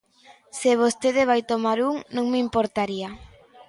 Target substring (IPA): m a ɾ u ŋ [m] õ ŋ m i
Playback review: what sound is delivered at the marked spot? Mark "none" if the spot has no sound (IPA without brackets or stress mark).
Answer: n